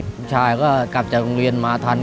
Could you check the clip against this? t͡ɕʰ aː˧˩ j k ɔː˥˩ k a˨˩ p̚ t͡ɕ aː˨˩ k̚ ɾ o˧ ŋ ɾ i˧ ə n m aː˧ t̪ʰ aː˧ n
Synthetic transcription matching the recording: t͡ɕʰ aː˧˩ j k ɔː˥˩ k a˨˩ p̚ t͡ɕ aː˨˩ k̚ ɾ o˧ ŋ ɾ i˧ ə n m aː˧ t̪ʰ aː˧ n